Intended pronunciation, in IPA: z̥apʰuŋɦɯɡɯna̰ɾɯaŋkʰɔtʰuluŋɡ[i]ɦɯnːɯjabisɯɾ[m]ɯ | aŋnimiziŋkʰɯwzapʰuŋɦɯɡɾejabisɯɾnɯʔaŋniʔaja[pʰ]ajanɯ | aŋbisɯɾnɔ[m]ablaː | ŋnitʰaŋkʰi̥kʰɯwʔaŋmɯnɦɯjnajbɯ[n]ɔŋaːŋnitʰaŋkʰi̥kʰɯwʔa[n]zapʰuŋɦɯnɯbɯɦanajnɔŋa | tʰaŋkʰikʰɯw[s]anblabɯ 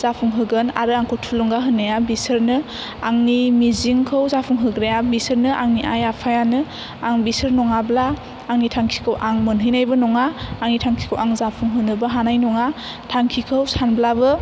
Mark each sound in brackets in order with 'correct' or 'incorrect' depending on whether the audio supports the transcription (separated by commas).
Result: incorrect, incorrect, correct, incorrect, correct, incorrect, correct